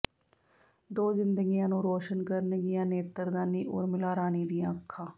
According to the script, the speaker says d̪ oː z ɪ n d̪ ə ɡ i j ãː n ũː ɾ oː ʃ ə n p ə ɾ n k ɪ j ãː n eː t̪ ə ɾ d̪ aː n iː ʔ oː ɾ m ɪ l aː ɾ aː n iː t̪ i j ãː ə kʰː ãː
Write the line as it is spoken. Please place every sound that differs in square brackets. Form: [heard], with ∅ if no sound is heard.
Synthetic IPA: d̪ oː z ɪ n d̪ ə ɡ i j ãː n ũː ɾ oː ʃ ə n [k] ə ɾ n [ɡ] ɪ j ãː n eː t̪ ə ɾ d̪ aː n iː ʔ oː ɾ m ɪ l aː ɾ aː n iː [d̪] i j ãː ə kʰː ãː